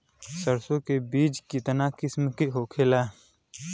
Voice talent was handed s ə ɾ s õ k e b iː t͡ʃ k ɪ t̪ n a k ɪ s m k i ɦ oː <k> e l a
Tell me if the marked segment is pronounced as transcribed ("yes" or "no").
no